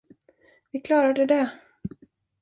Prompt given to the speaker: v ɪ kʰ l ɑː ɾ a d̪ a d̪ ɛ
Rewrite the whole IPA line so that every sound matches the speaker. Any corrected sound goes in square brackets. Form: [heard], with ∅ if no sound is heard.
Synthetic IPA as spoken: v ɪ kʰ l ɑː ɾ a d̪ [ə] d̪ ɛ